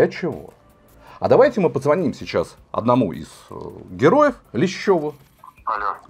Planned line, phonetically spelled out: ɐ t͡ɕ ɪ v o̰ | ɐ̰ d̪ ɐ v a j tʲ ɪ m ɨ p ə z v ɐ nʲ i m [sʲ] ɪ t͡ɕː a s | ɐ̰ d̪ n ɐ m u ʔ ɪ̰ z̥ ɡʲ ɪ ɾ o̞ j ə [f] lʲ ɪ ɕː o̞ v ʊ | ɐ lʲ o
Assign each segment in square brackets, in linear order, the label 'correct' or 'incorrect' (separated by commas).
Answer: correct, correct